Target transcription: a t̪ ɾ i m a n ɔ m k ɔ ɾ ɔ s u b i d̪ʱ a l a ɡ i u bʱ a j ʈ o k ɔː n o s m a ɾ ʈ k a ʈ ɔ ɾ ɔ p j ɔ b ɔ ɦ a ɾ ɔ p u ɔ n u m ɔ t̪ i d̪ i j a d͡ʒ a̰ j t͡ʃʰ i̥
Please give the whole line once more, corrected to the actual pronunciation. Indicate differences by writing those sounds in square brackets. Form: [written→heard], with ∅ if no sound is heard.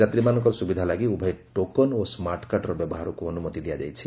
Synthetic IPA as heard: a t̪ ɾ i m a n ɔ [m→ŋ] k ɔ ɾ ɔ s u b i d̪ʱ a l a ɡ i u bʱ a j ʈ o k [ɔː→ɔ] n o s m a ɾ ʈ k a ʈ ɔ ɾ ɔ [p→b] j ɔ b ɔ ɦ a ɾ ɔ [p→k] u ɔ n u m ɔ t̪ i d̪ i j a d͡ʒ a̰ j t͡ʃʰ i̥

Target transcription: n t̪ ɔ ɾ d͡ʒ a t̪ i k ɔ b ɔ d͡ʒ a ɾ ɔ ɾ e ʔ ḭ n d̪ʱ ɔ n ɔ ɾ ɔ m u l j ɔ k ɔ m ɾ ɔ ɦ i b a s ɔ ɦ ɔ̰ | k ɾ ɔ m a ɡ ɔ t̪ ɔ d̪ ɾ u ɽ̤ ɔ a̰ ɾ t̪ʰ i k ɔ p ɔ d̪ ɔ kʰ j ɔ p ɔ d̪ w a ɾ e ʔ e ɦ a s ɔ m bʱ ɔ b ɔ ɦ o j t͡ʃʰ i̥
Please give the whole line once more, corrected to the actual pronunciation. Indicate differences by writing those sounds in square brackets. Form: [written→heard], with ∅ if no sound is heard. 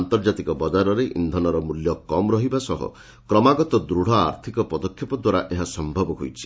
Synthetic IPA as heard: n t̪ ɔ ɾ d͡ʒ a t̪ i k ɔ b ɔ d͡ʒ a ɾ ɔ ɾ e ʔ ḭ n d̪ʱ ɔ n ɔ ɾ ɔ m u l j ɔ k ɔ m ɾ ɔ ɦ i b a s ɔ ɦ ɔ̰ | k ɾ ɔ m a ɡ ɔ t̪ ɔ d̪ ɾ u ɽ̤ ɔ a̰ ɾ t̪ʰ i k ɔ p ɔ d̪ ɔ kʰ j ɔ p ɔ d̪ w a ɾ [e→a] ʔ e ɦ a s ɔ m bʱ ɔ b ɔ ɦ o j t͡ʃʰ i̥

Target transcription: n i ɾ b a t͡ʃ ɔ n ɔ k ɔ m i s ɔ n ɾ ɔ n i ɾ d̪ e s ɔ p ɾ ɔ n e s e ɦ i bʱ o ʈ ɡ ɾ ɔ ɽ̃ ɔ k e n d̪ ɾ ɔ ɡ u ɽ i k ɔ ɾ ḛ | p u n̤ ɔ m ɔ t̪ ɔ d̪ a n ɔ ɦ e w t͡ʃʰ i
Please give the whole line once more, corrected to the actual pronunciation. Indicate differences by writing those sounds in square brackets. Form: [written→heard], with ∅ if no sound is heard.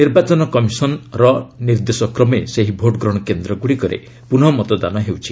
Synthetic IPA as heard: n i ɾ b a t͡ʃ ɔ n ɔ k ɔ m i s ɔ n ɾ ɔ n i ɾ d̪ e s ɔ [p→k] ɾ ɔ [n→m] e s e ɦ i bʱ o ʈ ɡ ɾ ɔ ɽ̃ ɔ k e n d̪ ɾ ɔ ɡ u ɽ i k ɔ ɾ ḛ | p u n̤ ɔ m ɔ t̪ ɔ d̪ a n ɔ ɦ e w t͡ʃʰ i

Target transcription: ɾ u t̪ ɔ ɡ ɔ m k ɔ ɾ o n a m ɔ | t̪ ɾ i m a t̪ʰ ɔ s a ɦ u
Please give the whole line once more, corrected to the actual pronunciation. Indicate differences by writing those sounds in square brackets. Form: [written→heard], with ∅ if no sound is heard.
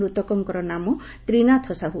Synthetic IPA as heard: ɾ u t̪ ɔ [ɡ→k] ɔ [m→ŋ] k ɔ ɾ [o→ɔ] n a m ɔ | t̪ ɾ i [m→n] a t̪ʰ ɔ s a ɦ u

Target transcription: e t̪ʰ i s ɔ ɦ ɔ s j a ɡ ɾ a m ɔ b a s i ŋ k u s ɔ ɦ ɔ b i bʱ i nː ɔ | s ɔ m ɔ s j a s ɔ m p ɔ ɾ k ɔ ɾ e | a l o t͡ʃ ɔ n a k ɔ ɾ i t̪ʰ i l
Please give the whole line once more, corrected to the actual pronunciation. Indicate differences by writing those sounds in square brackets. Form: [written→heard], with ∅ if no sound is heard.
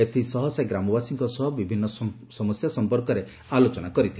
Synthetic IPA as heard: e t̪ʰ i s ɔ ɦ ɔ s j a ɡ ɾ a m ɔ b a s i ŋ k [u→ɔ] s ɔ ɦ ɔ b i bʱ i nː ɔ | s ɔ m ɔ s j a s ɔ m p ɔ ɾ k ɔ ɾ e | a l o t͡ʃ ɔ n a k ɔ ɾ i t̪ʰ i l

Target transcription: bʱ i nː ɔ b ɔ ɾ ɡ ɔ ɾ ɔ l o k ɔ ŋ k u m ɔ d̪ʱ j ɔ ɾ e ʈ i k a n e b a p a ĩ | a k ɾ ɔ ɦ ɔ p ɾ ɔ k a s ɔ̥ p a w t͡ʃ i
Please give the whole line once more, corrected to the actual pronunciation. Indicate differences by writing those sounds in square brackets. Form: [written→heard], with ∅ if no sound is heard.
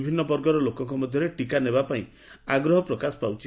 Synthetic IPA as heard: bʱ i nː ɔ b ɔ ɾ ɡ ɔ ɾ ɔ l o k ɔ ŋ k [u→ɔ] m ɔ d̪ʱ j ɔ ɾ e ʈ i k a n e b a p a ĩ | a [k→ɡ] ɾ ɔ ɦ ɔ p ɾ ɔ k a s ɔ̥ p a w t͡ʃ i

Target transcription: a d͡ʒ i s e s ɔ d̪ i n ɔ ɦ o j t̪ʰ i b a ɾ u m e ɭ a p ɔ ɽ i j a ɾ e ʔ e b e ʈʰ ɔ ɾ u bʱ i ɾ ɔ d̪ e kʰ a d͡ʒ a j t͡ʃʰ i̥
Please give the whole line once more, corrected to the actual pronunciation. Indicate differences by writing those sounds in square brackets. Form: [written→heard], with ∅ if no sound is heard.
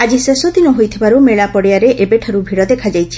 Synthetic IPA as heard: a d͡ʒ i s e s ɔ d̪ i n ɔ ɦ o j t̪ʰ i b a ɾ u m e ɭ a p ɔ ɽ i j a ɾ e ʔ e b e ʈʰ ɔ ɾ u bʱ i [ɾ→ɽ] ɔ d̪ e kʰ a d͡ʒ a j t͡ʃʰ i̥

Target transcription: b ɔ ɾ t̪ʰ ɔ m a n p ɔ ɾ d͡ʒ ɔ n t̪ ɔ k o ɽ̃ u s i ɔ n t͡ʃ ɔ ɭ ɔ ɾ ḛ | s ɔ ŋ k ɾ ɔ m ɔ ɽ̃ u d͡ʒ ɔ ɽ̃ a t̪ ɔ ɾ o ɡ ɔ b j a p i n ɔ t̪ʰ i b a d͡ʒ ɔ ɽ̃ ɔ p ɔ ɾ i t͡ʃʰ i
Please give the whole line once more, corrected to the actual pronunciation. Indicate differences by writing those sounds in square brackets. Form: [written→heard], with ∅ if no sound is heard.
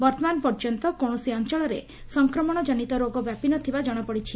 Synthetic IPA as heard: b ɔ ɾ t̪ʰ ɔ m a n p ɔ ɾ d͡ʒ ɔ n t̪ ɔ k o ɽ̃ [u→ɔ] s i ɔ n t͡ʃ ɔ ɭ ɔ ɾ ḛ | s ɔ ŋ k ɾ ɔ m ɔ ɽ̃ [u→ɔ] d͡ʒ ɔ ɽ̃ [a→i] t̪ ɔ ɾ o ɡ ɔ b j a p i n ɔ t̪ʰ i b a d͡ʒ ɔ ɽ̃ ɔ p ɔ [ɾ→ɽ] i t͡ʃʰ i

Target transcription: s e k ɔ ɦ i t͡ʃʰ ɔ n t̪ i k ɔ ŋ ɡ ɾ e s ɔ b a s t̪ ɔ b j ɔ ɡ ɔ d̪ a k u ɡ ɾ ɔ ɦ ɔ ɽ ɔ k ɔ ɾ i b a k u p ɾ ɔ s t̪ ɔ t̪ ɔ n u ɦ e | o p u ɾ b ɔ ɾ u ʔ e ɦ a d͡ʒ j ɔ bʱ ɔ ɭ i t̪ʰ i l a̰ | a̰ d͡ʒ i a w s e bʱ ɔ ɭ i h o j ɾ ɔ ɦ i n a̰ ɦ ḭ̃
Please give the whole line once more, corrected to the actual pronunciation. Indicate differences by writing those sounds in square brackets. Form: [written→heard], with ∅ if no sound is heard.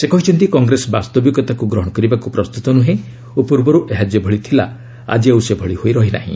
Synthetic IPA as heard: s e k ɔ ɦ i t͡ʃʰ ɔ n t̪ i k ɔ ŋ ɡ ɾ e s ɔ b a s t̪ ɔ b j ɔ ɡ ɔ [d̪→t̪] a k u ɡ ɾ ɔ ɦ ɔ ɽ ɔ k ɔ ɾ i b a k u p ɾ ɔ s t̪ [ɔ→u] t̪ ɔ n u ɦ e | o p u ɾ b ɔ ɾ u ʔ e ɦ a d͡ʒ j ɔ bʱ ɔ ɭ i t̪ʰ i l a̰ | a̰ d͡ʒ i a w s e bʱ ɔ ɭ i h o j ɾ ɔ ɦ i n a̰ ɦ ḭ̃

